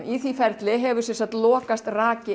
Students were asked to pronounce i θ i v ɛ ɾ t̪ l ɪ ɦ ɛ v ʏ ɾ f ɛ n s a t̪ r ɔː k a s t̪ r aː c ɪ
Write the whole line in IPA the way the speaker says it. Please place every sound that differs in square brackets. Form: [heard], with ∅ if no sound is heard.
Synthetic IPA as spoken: i θ i [f] ɛ ɾ t̪ l ɪ ɦ ɛ v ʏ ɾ [s] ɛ n s a t̪ [l] ɔː k a s t̪ r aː c ɪ